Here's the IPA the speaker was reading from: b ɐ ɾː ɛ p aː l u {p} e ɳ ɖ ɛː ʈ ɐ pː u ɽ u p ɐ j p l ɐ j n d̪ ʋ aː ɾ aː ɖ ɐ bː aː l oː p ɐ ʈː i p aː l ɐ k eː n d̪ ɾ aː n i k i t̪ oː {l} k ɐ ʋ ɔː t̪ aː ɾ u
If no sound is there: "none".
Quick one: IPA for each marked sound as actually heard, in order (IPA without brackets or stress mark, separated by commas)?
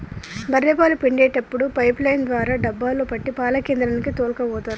p, l